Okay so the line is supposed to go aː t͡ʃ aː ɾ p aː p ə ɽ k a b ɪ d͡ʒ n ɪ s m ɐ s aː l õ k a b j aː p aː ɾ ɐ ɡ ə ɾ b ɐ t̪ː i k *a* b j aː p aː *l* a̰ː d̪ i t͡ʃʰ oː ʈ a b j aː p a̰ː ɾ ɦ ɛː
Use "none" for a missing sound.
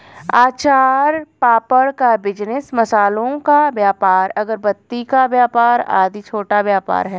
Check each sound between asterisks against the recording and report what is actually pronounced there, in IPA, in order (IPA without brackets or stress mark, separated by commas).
a, ɾ